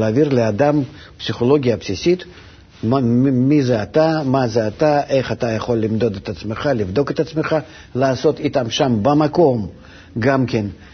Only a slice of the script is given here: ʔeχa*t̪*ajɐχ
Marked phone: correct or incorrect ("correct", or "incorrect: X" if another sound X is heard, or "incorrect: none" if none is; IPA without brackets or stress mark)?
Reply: correct